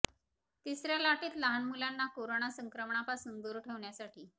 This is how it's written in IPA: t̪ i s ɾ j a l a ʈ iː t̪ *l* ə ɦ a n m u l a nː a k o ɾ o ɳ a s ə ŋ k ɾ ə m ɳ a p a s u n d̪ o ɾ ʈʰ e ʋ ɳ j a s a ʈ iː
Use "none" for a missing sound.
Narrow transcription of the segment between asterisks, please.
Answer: l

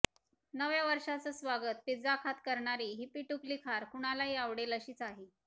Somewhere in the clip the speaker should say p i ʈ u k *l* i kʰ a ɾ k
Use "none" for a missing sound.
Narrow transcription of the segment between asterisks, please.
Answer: l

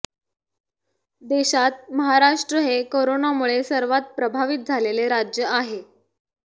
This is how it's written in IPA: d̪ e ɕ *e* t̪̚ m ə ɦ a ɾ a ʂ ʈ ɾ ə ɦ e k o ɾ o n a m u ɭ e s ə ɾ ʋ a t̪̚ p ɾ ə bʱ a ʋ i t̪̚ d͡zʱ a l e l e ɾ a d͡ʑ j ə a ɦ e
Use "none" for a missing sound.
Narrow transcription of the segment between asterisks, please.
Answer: a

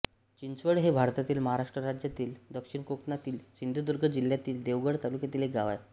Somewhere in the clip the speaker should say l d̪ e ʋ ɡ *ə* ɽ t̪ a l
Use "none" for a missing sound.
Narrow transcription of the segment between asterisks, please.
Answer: ə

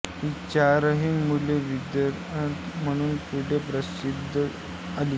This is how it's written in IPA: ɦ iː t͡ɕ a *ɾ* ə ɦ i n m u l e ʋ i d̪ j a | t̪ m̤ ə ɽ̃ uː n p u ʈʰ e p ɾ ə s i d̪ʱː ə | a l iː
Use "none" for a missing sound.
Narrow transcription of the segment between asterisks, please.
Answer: ɾ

